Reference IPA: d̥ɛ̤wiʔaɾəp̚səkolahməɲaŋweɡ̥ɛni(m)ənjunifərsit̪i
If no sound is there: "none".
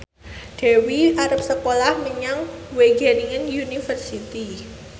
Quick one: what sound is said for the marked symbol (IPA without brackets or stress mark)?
ŋ